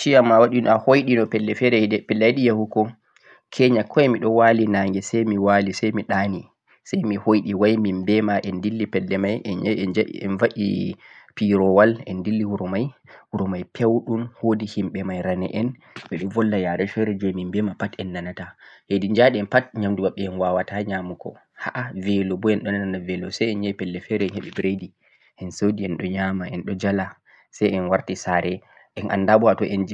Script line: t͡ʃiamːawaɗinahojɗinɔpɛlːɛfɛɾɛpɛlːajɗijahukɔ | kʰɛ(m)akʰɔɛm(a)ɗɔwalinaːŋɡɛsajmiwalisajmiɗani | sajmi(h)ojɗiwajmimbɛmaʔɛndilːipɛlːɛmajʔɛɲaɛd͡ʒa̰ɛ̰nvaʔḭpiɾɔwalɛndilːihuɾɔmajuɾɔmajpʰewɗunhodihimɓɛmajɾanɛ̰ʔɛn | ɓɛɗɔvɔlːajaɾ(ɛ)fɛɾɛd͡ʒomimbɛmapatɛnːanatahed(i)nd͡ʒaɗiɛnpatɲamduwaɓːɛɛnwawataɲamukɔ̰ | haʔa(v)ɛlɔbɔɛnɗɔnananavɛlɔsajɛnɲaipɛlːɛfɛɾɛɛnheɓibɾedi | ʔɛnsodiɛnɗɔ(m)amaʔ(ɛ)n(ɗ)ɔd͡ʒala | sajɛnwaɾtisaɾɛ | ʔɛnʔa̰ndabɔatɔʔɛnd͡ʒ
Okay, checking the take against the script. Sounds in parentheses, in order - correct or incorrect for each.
incorrect, incorrect, correct, correct, correct, correct, incorrect, correct, correct

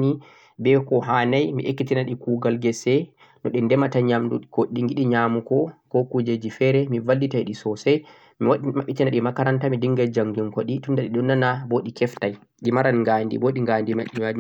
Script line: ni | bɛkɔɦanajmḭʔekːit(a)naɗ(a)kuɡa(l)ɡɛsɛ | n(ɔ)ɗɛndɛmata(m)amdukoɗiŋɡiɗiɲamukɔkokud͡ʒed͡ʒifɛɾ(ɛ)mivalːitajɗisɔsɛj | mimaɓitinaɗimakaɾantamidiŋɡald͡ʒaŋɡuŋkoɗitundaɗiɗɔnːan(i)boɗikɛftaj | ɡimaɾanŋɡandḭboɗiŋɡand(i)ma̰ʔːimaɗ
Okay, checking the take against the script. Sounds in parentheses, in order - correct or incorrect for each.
incorrect, incorrect, correct, correct, incorrect, correct, incorrect, correct

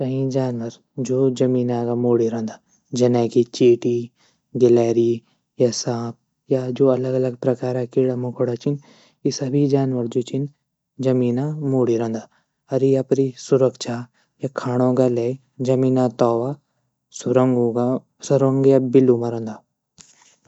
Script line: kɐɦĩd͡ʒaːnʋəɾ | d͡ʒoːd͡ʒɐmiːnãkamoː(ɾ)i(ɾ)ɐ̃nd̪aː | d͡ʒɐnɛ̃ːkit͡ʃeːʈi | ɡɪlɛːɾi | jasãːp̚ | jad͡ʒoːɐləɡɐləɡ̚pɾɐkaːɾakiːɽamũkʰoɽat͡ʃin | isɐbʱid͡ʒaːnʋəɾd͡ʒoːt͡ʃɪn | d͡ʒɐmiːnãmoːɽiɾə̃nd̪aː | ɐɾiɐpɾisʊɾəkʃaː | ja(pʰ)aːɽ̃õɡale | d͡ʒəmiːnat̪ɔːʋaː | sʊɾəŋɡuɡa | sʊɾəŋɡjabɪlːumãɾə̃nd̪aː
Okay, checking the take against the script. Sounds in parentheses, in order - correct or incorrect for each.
incorrect, correct, incorrect

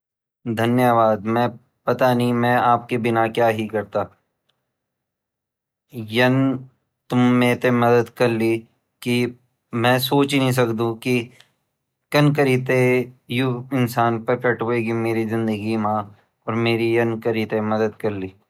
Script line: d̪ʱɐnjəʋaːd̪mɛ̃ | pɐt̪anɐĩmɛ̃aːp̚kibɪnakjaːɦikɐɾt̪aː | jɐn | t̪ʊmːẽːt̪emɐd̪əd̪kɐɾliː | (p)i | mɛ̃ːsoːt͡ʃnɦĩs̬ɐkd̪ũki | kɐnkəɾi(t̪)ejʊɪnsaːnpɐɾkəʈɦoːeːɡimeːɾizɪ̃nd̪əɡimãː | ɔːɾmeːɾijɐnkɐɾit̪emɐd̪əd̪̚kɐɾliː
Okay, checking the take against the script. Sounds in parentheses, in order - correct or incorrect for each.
incorrect, correct

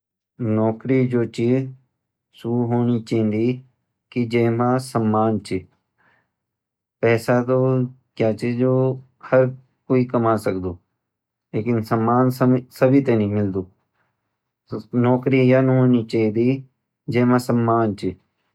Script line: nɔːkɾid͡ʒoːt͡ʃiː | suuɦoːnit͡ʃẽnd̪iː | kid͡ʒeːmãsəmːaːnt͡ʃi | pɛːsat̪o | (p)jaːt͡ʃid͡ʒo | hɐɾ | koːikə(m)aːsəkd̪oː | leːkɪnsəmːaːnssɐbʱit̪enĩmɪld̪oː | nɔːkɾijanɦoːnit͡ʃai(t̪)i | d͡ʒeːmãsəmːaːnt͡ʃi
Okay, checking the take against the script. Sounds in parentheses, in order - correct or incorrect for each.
incorrect, correct, incorrect

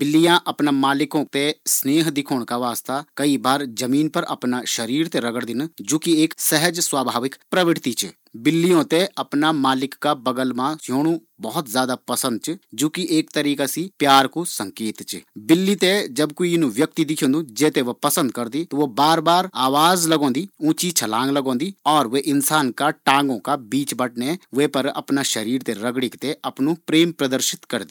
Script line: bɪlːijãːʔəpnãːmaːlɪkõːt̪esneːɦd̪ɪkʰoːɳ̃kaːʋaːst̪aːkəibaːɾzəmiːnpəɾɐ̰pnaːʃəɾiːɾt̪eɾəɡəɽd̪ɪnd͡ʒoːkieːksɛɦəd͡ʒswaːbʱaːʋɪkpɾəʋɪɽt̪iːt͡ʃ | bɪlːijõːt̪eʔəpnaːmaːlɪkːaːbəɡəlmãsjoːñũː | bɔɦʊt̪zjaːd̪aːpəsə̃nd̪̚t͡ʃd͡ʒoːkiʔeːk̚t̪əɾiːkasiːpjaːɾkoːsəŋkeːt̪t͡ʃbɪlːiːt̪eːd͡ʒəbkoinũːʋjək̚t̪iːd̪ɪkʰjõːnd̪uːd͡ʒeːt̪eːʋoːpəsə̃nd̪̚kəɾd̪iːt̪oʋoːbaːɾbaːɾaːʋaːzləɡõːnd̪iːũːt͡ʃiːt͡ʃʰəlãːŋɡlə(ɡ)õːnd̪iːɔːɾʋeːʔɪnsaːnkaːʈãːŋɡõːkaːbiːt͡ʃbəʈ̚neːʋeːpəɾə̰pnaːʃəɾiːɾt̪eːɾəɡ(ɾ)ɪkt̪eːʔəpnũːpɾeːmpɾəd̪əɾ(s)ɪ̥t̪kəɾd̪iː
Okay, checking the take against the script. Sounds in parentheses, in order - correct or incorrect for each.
correct, incorrect, incorrect

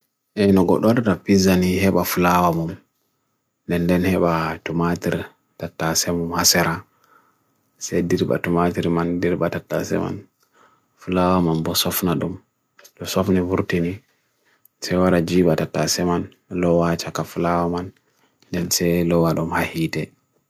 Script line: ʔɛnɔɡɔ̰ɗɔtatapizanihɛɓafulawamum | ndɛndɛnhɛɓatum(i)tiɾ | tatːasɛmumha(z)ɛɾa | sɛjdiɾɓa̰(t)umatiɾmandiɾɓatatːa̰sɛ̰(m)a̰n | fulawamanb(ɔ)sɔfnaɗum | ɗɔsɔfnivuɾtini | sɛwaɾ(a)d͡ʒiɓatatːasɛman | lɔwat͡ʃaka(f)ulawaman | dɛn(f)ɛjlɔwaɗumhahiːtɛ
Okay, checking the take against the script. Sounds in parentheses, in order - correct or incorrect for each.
incorrect, incorrect, correct, correct, correct, correct, correct, incorrect

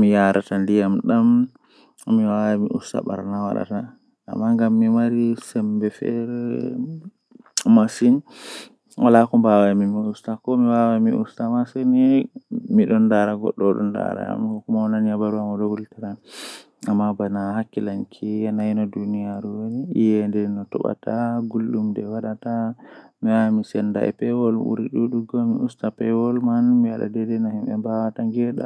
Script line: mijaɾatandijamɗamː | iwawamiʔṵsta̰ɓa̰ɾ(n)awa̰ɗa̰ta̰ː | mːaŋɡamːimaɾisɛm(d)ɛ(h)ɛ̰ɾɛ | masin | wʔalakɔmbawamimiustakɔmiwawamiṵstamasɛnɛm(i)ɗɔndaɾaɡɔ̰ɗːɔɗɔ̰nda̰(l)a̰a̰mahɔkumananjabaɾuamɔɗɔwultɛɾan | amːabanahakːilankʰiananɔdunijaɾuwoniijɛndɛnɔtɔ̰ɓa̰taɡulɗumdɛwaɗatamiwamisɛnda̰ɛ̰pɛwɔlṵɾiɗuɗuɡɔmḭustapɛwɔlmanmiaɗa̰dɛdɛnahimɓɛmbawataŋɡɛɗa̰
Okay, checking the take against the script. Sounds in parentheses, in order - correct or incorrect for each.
correct, incorrect, incorrect, correct, incorrect

